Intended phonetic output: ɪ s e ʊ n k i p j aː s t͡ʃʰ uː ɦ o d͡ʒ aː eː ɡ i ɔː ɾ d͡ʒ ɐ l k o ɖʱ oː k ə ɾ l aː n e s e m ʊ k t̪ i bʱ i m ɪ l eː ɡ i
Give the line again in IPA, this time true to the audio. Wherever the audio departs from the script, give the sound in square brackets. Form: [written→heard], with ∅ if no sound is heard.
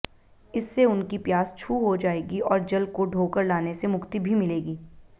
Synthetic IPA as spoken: ɪ [s→sː] e ʊ n k i p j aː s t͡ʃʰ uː ɦ o d͡ʒ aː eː ɡ i ɔː ɾ d͡ʒ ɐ l k o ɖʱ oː k ə ɾ l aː n e s e m ʊ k t̪ i bʱ i m ɪ l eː ɡ [i→iː]